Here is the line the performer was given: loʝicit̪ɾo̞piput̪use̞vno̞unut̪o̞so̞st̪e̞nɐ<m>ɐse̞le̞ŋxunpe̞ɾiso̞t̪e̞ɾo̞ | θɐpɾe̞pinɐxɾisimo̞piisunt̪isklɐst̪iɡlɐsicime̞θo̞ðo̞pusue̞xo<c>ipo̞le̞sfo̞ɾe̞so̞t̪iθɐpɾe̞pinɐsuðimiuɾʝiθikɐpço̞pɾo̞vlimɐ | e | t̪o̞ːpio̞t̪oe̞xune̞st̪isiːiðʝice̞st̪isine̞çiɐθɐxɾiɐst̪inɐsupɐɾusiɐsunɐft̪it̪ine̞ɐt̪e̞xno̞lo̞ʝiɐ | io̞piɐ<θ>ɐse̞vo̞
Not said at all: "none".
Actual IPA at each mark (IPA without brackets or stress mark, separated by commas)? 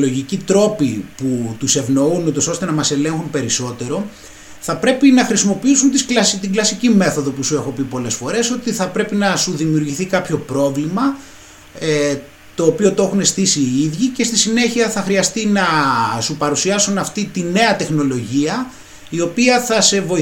m, p, θ